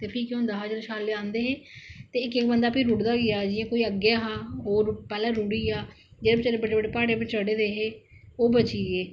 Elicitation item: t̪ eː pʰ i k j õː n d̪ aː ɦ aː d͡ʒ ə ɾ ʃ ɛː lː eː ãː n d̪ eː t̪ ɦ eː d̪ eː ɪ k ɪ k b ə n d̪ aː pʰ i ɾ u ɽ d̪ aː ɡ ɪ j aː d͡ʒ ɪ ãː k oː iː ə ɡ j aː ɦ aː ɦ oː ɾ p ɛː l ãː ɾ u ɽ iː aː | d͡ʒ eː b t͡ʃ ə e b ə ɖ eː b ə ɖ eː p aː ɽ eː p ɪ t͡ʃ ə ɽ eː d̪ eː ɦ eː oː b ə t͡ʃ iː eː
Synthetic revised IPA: t̪ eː pʰ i k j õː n d̪ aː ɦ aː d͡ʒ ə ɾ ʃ aː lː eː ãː n d̪ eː ɦ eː t̪ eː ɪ k ɪ k b ə n d̪ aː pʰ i ɾ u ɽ d̪ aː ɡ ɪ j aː d͡ʒ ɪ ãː k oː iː ə ɡ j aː ɦ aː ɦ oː ɾ p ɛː l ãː ɾ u ɽ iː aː | d͡ʒ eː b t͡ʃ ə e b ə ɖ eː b ə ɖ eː p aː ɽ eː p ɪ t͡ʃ ə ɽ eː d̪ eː ɦ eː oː b ə t͡ʃ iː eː